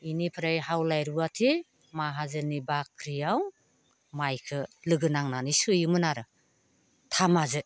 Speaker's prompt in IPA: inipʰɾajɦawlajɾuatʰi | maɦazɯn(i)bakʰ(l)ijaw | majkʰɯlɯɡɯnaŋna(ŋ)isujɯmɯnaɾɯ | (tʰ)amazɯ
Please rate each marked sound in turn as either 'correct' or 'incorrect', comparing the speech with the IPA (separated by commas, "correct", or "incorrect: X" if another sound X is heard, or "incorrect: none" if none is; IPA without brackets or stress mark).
correct, incorrect: ɾ, incorrect: n, correct